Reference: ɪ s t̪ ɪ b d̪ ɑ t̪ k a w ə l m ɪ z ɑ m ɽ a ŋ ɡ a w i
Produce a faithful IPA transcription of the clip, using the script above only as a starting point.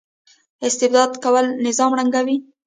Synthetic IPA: ɪ s t̪ ɪ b d̪ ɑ d̪ k a w ə l n ɪ z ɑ m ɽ a ŋ ɡ a w i